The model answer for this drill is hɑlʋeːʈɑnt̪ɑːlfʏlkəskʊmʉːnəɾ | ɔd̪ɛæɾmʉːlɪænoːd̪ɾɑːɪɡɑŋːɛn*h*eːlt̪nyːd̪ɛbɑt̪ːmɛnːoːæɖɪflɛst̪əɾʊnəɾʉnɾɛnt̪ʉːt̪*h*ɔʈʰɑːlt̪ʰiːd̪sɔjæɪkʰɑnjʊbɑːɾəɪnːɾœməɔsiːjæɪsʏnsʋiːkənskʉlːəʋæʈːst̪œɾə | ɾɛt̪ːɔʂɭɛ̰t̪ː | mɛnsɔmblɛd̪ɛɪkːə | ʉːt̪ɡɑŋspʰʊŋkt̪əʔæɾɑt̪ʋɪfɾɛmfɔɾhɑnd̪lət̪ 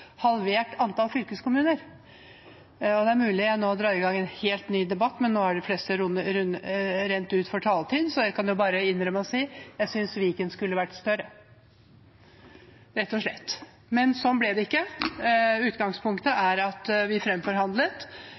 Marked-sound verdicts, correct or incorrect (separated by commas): correct, incorrect